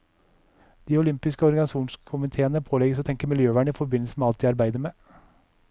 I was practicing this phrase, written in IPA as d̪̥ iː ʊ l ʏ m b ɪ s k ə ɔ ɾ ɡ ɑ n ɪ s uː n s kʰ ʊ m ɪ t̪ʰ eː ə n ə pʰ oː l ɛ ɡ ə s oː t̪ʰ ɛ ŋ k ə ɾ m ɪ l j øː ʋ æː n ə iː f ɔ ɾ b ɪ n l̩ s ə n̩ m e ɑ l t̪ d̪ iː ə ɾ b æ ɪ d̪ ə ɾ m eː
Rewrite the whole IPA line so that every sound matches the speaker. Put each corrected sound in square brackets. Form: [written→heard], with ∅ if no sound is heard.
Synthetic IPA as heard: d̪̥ iː ʊ l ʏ m [b→p] ɪ s k ə ɔ ɾ ɡ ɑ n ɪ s uː n s kʰ ʊ m ɪ t̪ʰ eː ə n ə pʰ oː l ɛ ɡ ə s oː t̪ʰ ɛ ŋ k ə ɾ m ɪ l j øː ʋ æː [n→ɳ] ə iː f ɔ ɾ b ɪ n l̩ s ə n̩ m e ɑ l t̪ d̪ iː [ə→ɑ] ɾ b æ ɪ d̪ ə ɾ m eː